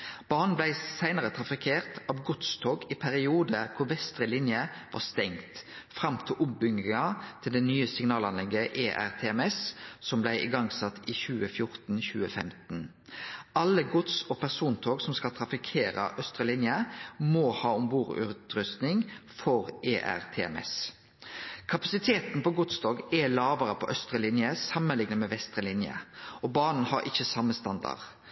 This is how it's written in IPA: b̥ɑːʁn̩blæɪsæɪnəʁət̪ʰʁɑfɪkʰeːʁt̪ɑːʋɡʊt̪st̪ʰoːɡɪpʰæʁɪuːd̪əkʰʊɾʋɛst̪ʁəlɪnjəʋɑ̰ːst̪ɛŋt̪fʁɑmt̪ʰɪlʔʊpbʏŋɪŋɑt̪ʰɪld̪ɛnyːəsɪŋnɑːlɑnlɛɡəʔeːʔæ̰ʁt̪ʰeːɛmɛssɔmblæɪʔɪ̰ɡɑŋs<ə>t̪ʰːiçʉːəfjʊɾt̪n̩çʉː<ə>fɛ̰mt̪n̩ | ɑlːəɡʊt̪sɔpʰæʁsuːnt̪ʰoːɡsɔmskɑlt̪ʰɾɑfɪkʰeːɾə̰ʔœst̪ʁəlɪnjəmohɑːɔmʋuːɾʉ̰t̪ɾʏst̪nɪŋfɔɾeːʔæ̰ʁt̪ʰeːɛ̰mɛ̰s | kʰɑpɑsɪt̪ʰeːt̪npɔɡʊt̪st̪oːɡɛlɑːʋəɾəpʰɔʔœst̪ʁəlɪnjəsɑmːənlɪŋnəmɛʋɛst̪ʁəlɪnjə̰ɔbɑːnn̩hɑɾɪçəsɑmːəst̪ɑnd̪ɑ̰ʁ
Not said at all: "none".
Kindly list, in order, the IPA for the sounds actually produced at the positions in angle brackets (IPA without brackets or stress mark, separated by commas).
ɑ, ə